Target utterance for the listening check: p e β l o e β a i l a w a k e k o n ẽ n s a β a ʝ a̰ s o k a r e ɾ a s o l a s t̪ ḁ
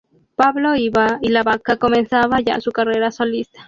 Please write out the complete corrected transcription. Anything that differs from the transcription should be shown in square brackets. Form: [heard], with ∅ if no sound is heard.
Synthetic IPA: p [a] β l o [i] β a i l a [β] a k [a] k o [m] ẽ n s a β a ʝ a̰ s [u] k a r e ɾ a s o l [i] s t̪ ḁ